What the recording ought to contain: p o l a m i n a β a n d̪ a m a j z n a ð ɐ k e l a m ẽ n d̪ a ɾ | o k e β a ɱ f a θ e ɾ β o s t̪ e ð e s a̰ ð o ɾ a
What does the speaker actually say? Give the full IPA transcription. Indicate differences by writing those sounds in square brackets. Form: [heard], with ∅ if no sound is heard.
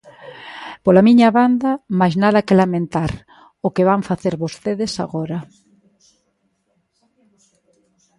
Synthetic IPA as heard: p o l a m i [ɲ] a β a n d̪ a m a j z n a ð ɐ k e l a m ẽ n [t̪] a ɾ | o k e β a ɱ f a θ e ɾ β o s t̪ e ð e s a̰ [ɣ] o ɾ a